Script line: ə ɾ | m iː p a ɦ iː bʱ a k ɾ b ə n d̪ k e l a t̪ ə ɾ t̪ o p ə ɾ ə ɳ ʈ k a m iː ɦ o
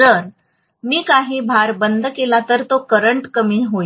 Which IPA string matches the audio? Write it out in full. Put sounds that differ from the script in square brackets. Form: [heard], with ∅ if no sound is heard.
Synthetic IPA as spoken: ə ɾ | m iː [k] a ɦ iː bʱ a [∅] ɾ b ə n d̪ k e l a t̪ ə ɾ t̪ o [k] ə ɾ ə ɳ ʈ k [ə] m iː ɦ o

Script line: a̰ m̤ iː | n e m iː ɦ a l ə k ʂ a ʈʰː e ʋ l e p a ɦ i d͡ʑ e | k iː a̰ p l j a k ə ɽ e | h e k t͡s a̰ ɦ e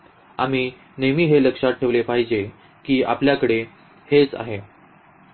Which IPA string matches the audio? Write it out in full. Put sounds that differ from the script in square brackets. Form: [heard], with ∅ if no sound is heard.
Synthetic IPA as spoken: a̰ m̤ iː | n e m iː ɦ [e] l ə k ʂ a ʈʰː e ʋ l e p a ɦ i d͡ʑ e | k iː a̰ p l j a k ə ɽ e | h e [∅] t͡s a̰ ɦ e

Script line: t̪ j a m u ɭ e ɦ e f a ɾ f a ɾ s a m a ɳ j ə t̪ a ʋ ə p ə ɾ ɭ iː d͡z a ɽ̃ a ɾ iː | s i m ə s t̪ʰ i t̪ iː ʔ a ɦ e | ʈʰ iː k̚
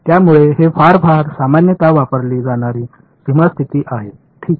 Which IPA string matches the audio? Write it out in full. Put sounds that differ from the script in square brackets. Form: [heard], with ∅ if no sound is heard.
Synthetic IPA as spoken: t̪ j a m u ɭ e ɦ e f a ɾ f a ɾ s a m a [n] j ə t̪ a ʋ [a] p ə ɾ [l] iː d͡z a ɽ̃ a ɾ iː | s i m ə s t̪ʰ i t̪ iː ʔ a ɦ e | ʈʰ iː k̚

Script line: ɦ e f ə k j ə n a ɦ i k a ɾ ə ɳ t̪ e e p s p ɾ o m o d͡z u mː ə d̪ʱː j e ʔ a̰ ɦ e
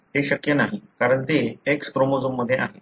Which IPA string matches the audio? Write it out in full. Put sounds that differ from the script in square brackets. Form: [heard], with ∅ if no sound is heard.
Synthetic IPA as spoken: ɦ e [ɕ] ə k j ə n a ɦ i k a ɾ ə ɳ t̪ e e [k] s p ɾ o m o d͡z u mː ə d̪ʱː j e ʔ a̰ ɦ e

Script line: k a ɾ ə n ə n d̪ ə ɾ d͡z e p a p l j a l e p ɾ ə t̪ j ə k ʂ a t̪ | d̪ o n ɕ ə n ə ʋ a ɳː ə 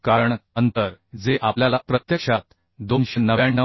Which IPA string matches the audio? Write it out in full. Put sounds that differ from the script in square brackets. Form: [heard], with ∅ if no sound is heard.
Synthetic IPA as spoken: k a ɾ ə [ɳ] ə n [t̪] ə ɾ d͡z e [ʔ] a p l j a l [a] p ɾ ə t̪ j ə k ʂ a t̪ | d̪ o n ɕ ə n ə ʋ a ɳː ə

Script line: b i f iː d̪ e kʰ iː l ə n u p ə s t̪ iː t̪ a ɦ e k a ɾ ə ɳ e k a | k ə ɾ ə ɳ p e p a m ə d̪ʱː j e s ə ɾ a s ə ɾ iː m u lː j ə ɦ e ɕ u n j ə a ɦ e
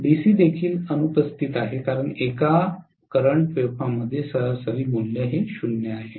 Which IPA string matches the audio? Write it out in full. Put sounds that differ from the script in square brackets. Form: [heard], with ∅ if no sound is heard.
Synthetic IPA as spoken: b i [s] iː d̪ e kʰ iː l ə n u p ə s t̪ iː t̪ a ɦ e k a ɾ ə ɳ e k a | k ə ɾ ə ɳ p e p a m ə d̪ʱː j e s ə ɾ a s ə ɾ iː m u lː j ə ɦ e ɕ u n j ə a ɦ e

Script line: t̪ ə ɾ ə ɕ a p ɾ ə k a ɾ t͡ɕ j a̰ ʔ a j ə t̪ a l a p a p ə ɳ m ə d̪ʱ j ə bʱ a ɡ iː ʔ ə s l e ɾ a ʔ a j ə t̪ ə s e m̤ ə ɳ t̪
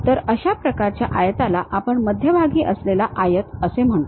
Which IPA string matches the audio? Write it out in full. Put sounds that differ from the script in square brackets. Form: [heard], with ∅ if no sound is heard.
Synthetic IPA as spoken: t̪ ə ɾ ə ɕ a p ɾ ə k a ɾ t͡ɕ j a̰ ʔ a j ə t̪ a l a [ʔ] a p ə ɳ m ə d̪ʱ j ə bʱ a ɡ iː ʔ ə s l e [l] a ʔ a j ə t̪ ə s e m̤ ə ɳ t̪

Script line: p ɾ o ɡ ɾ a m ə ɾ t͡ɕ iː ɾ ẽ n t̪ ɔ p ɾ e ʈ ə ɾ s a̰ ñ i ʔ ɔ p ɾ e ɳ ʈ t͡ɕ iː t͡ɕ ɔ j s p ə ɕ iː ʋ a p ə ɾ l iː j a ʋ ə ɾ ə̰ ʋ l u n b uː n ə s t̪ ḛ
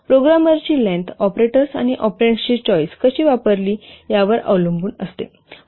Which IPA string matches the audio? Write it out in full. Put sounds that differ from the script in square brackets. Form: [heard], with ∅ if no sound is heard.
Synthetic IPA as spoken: p ɾ o ɡ ɾ a m ə ɾ t͡ɕ iː [l] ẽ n t̪ ɔ p ɾ e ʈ ə ɾ s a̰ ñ i ʔ ɔ p ɾ e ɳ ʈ t͡ɕ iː t͡ɕ ɔ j s [k] ə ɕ iː ʋ a p ə ɾ l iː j a ʋ ə ɾ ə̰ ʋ l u [m] b uː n ə s t̪ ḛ

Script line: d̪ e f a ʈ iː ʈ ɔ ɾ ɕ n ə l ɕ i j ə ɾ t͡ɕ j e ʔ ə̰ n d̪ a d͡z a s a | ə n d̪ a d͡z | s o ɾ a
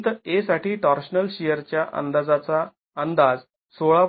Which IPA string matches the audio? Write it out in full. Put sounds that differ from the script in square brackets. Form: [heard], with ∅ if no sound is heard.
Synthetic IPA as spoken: [t̪] e [s] a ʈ iː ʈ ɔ ɾ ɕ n ə l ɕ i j ə ɾ t͡ɕ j [a] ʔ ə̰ n d̪ a d͡z a [t͡s] a | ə n d̪ a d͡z | s o [ɭ] a

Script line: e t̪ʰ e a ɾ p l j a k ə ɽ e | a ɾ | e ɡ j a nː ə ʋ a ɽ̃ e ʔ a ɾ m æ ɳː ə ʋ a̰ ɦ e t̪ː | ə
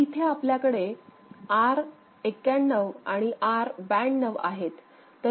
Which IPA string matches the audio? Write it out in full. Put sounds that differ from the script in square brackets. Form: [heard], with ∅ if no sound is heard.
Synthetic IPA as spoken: [i] t̪ʰ e a [∅] p l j a k ə ɽ e | a ɾ | e [k] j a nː ə ʋ a ɽ̃ [i] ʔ a ɾ [b] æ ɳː ə ʋ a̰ ɦ e t̪ː | ə

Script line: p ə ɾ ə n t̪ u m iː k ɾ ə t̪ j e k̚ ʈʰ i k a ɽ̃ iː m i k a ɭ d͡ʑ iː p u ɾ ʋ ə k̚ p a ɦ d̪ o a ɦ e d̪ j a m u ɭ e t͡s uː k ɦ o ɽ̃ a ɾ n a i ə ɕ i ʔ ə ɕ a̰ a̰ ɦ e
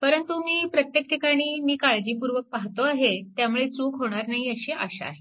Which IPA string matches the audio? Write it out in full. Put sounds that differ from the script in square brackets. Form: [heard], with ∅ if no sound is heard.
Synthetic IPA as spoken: p ə ɾ ə n t̪ u m iː [p] ɾ ə t̪ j e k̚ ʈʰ i k a ɽ̃ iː m [iː] k a ɭ d͡ʑ iː p u ɾ ʋ ə k̚ p a ɦ [t̪] o a ɦ e [t̪] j a m u ɭ e t͡s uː k ɦ o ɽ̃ a ɾ n a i ə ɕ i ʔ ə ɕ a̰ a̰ ɦ e

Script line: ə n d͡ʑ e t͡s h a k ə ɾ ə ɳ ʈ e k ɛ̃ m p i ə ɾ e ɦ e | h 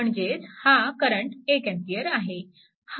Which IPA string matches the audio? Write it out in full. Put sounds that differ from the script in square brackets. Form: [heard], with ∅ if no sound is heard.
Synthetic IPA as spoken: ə [ɳ] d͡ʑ e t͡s h a k ə ɾ ə ɳ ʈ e k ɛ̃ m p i ə ɾ [a] ɦ e | h

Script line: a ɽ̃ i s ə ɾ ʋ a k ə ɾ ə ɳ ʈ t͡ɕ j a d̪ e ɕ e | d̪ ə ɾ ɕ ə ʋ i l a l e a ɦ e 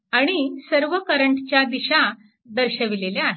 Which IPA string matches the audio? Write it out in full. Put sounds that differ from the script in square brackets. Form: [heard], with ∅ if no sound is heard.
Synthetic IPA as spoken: a ɽ̃ i s ə ɾ ʋ [ə] k ə ɾ ə ɳ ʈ t͡ɕ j a d̪ [i] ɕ [a] | d̪ ə ɾ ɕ ə ʋ i l [e] l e a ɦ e

